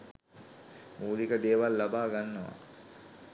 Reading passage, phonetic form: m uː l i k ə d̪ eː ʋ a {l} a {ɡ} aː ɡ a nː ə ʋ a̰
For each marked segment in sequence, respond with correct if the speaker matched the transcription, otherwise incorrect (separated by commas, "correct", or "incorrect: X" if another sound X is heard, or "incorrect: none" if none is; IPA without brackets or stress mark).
incorrect: lː, incorrect: b